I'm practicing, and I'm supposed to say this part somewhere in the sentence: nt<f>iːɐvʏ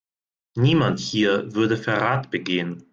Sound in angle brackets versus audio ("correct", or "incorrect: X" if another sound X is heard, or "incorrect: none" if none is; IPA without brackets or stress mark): incorrect: h